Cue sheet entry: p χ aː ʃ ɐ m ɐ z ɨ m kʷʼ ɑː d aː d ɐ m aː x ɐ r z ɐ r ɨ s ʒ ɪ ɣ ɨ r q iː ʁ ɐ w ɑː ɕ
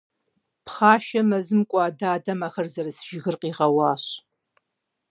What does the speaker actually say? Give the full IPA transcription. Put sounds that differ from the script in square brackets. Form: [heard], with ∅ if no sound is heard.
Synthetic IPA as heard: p χ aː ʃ ɐ m ɐ z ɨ m kʷʼ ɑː d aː d ɐ m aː x ɐ r z ɐ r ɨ s ʒ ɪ ɣ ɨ r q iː ʁ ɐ w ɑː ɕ